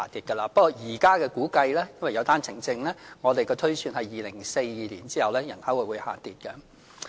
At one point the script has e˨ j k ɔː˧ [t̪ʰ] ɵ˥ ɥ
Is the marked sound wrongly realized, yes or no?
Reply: no